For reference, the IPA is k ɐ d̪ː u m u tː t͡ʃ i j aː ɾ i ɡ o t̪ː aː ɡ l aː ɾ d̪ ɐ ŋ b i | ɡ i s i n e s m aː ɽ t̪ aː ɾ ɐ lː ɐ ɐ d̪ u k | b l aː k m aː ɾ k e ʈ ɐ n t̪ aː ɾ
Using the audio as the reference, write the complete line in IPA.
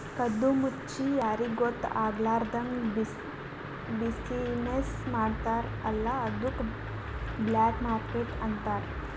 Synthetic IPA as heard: k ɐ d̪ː u m u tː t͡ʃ i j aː ɾ i ɡ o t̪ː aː ɡ l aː ɾ d̪ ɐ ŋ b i | b i s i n e s m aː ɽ t̪ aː ɾ ɐ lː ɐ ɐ d̪ u k | b l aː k m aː ɾ k e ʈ ɐ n t̪ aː ɾ

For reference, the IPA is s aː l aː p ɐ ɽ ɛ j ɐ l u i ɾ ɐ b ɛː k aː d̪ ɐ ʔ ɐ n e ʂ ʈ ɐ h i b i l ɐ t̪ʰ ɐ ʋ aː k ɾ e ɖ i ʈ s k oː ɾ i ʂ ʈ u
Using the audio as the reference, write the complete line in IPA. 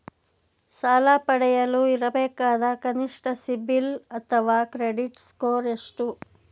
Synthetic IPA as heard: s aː l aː p ɐ ɽ ɛ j ɐ l u i ɾ ɐ b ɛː k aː d̪ ɐ k ɐ n i ʂ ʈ ɐ s i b i l ɐ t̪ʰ ɐ ʋ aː k ɾ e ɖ i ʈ s k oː ɾ e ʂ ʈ u

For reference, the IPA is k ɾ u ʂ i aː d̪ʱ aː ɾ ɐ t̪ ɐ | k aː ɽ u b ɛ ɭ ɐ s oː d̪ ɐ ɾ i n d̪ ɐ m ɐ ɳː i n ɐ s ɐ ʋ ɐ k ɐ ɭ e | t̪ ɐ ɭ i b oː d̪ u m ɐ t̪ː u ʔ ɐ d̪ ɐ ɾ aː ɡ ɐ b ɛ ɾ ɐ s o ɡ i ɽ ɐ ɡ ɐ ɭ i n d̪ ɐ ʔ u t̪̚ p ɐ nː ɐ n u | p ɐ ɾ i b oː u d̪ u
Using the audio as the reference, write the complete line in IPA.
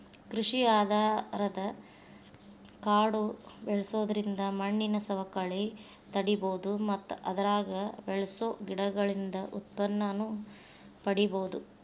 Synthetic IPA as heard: k ɾ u ʂ i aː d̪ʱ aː ɾ ɐ d̪ ɐ | k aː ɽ u b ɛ ɭ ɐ s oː d̪ ɐ ɾ i n d̪ ɐ m ɐ ɳː i n ɐ s ɐ ʋ ɐ k ɐ ɭ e | t̪ ɐ ɽ i b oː d̪ u m ɐ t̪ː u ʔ ɐ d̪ ɐ ɾ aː ɡ ɐ b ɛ ɭ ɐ s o ɡ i ɽ ɐ ɡ ɐ ɭ i n d̪ ɐ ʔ u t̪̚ p ɐ nː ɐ n u | p ɐ ɽ i b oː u d̪ u

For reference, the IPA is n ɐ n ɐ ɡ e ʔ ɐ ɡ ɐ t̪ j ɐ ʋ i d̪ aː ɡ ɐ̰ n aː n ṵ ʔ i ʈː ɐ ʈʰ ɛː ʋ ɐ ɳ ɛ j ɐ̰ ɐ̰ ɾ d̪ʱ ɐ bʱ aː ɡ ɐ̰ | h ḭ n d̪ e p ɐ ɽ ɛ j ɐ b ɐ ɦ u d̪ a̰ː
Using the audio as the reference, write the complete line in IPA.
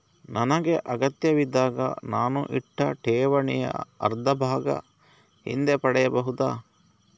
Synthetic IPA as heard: n ɐ n ɐ ɡ e ʔ ɐ ɡ ɐ t̪ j ɐ ʋ i d̪ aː ɡ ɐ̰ n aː n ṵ ʔ i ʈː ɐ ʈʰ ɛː ʋ ɐ ɳ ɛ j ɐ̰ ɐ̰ ɾ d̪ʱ ɐ bʱ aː ɡ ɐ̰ | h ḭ n d̪ e p ɐ ɽ ɛ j ɐ b ɐ ɦ u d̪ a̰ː

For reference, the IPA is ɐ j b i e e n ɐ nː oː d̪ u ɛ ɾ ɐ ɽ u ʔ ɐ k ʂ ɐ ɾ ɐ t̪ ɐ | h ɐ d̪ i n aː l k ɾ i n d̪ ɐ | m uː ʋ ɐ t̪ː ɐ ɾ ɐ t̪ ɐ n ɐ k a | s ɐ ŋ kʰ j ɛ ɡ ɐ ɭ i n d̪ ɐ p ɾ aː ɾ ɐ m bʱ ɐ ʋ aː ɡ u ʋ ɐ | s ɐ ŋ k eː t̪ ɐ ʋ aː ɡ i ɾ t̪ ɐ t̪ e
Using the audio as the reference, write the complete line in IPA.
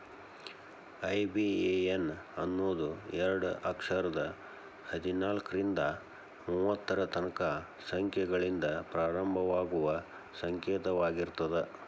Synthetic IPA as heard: ɐ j b i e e n ɐ nː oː d̪ u ɛ ɾ ɐ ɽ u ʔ ɐ k ʂ ɐ ɾ ɐ d̪ ɐ | h ɐ d̪ i n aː l k ɾ i n d̪ ɐ | m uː ʋ ɐ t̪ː ɐ ɾ ɐ t̪ ɐ n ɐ k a | s ɐ ŋ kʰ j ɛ ɡ ɐ ɭ i n d̪ ɐ p ɾ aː ɾ ɐ m bʱ ɐ ʋ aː ɡ u ʋ ɐ | s ɐ ŋ k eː t̪ ɐ ʋ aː ɡ i ɾ t̪ ɐ d̪ e

